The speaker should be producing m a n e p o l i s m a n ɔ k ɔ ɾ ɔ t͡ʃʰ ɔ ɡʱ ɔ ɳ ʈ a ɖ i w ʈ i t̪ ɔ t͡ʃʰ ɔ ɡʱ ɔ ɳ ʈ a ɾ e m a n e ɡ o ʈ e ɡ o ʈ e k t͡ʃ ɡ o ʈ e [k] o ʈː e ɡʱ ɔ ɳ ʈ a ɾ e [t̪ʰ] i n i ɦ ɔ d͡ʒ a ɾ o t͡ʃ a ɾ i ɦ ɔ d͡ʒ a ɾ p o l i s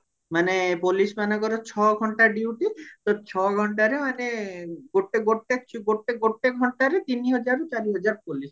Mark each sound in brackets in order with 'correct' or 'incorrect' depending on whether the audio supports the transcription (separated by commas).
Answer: incorrect, incorrect